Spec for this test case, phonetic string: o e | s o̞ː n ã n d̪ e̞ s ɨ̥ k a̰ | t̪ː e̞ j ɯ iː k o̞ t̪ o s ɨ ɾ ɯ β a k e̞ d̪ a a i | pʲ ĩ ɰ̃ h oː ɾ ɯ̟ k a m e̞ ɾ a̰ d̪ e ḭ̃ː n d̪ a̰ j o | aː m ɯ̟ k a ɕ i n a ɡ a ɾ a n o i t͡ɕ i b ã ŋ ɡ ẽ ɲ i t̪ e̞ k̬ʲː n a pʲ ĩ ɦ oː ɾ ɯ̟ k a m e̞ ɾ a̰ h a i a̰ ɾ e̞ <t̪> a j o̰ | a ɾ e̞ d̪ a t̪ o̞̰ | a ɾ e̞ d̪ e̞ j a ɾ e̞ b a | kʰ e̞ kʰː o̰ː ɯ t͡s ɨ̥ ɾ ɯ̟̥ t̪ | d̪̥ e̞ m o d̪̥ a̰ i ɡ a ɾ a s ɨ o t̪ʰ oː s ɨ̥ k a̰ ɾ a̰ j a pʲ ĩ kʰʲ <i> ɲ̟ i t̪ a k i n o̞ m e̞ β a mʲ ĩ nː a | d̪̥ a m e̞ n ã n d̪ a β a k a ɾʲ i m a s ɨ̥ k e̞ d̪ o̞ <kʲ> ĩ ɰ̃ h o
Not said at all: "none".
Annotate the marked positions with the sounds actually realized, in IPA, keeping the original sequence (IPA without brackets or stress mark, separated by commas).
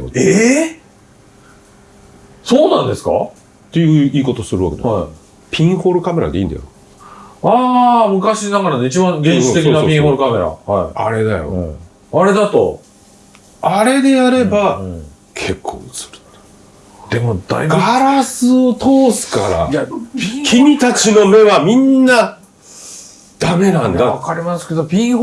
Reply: d̪, i, pʲ